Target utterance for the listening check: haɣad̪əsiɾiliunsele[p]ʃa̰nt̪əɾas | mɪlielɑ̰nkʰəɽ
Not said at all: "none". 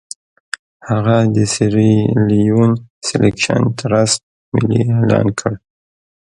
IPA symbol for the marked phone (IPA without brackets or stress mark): k